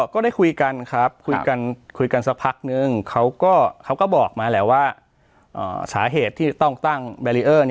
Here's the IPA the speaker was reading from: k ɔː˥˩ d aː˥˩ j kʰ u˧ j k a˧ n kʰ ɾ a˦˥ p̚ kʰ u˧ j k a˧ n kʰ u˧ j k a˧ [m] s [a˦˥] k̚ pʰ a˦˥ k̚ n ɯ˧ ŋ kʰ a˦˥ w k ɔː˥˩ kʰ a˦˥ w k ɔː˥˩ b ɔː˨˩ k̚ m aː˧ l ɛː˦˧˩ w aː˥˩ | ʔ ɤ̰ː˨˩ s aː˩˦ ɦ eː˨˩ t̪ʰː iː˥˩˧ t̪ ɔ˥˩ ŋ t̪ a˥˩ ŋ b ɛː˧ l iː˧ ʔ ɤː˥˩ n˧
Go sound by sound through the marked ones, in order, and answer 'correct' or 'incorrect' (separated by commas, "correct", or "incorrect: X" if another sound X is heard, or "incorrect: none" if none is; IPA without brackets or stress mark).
incorrect: n, correct